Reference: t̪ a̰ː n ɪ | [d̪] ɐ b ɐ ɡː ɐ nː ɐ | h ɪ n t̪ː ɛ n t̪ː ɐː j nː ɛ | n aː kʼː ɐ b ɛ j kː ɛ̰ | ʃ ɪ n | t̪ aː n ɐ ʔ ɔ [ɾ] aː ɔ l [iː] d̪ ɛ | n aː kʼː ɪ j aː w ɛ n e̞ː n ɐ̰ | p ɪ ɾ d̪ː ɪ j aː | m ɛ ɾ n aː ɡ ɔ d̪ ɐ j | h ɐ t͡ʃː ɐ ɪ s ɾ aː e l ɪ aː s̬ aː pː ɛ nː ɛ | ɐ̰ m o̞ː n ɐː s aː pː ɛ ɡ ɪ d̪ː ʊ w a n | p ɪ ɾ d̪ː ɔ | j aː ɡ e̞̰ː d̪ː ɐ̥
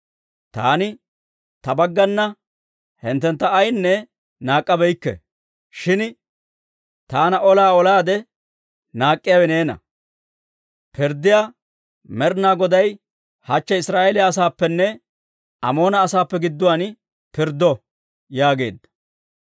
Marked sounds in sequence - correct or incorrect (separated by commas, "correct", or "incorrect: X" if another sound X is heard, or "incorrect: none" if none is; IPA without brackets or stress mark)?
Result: incorrect: t̪, incorrect: l, incorrect: aː